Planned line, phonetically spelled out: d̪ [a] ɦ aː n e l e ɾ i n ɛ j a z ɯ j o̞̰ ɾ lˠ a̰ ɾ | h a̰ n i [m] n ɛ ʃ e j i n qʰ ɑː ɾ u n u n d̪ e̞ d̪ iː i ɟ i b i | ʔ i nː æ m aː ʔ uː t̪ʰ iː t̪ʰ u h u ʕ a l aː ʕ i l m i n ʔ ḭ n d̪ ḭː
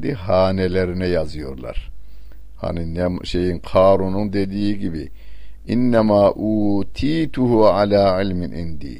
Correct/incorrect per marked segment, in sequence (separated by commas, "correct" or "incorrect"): incorrect, incorrect